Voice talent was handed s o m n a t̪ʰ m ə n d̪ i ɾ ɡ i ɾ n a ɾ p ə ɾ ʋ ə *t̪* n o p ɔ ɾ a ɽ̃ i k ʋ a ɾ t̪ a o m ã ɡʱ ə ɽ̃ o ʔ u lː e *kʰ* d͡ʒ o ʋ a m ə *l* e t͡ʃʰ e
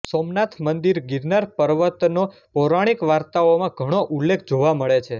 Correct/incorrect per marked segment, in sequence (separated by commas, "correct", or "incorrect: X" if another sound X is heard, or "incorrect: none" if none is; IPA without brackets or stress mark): correct, correct, incorrect: ɭ